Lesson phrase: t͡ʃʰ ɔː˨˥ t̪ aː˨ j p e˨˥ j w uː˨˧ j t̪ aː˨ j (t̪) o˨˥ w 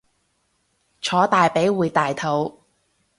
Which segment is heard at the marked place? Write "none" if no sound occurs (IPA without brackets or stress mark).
t̪ʰ